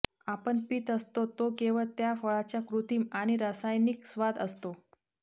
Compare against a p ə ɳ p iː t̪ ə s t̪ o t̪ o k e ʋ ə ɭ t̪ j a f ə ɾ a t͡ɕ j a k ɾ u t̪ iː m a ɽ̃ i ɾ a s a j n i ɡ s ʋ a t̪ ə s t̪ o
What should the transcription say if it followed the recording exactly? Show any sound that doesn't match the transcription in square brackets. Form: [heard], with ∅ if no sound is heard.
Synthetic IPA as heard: a p ə ɳ p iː t̪ ə s t̪ o t̪ o k e ʋ ə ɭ t̪ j a f ə [ɭ] a t͡ɕ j a k ɾ u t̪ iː m a ɽ̃ i ɾ a s a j n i [k] s ʋ a [d̪] ə s t̪ o